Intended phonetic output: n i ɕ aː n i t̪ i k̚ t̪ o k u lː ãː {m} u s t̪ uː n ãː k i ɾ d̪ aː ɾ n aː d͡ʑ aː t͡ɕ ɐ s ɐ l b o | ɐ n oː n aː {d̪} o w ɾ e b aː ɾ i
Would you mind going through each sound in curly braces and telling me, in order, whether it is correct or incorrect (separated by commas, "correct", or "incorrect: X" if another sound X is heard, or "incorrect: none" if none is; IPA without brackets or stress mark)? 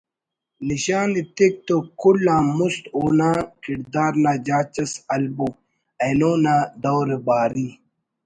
correct, correct